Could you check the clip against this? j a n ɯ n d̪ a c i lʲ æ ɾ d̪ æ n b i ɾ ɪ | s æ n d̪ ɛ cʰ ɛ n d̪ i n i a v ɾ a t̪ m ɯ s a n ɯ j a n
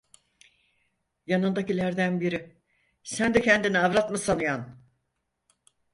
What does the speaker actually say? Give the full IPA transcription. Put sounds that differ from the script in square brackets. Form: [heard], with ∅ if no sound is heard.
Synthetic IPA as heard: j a n ɯ n d̪ a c i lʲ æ ɾ d̪ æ n b i ɾ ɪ | s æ n d̪ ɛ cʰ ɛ n d̪ i n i a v ɾ a t̪ m ɯ s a n ɯ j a n